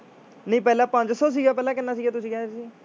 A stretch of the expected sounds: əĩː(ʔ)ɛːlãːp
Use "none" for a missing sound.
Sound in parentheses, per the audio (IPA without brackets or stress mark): p